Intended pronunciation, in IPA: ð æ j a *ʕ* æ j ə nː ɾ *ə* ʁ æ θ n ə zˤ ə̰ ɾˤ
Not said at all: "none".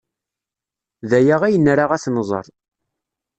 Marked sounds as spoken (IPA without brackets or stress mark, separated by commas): ʁ, a